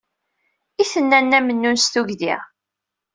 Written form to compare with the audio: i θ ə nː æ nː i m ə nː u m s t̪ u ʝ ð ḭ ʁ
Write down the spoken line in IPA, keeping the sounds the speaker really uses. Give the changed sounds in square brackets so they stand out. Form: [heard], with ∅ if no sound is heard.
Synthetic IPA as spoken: i θ ə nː æ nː [æ] m ə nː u [n] s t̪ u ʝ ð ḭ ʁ